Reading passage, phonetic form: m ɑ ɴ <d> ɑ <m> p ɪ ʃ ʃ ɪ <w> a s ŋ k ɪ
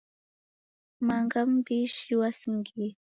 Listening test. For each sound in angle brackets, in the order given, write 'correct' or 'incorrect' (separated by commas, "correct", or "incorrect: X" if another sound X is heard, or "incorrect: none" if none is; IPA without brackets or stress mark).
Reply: incorrect: ɢ, correct, correct